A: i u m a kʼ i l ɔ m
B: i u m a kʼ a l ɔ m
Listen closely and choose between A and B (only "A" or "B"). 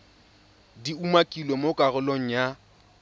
A